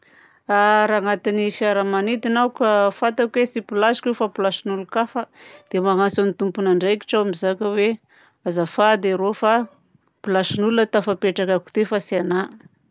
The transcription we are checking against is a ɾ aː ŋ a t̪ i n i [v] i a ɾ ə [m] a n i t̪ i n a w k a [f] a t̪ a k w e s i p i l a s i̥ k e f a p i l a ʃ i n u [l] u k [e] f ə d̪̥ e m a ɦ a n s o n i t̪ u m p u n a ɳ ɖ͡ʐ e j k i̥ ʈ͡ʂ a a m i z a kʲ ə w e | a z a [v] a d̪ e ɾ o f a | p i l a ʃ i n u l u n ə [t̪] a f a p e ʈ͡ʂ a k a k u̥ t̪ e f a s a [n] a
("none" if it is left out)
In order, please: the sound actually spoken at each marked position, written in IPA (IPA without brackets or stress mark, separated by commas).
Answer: f, m, f, l, a, f, t̪, n